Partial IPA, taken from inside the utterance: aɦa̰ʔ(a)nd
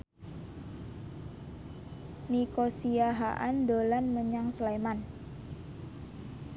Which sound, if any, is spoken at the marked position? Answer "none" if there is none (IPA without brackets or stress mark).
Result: a